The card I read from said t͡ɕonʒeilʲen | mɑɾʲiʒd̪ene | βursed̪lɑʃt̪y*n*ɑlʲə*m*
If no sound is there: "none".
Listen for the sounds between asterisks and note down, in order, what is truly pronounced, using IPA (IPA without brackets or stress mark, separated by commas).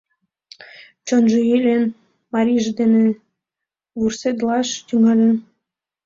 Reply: ŋ, n